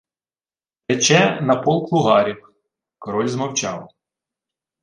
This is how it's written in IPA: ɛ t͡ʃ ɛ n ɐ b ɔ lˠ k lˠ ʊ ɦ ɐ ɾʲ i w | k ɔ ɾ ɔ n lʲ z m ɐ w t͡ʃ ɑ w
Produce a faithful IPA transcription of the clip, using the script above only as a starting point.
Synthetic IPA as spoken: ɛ t͡ʃ ɛ n ɐ p ɔ lˠ k lˠ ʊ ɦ ɑ ɾʲ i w | k ɔ ɾ ɔ lʲ z m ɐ w t͡ʃ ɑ w